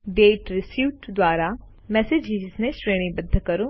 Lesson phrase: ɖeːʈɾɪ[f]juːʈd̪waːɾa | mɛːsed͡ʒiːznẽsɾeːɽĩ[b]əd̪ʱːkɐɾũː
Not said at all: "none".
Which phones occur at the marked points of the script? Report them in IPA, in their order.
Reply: s, b

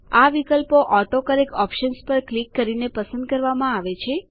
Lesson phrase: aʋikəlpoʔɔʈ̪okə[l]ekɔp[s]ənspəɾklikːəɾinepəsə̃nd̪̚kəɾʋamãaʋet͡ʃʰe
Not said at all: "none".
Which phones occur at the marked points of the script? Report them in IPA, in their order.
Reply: ɾ, ʃ

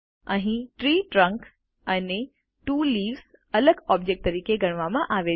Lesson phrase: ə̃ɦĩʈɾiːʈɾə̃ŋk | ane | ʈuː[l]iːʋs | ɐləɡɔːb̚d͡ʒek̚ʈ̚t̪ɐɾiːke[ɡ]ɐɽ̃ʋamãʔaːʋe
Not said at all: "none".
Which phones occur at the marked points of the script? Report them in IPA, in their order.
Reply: l, ɡ

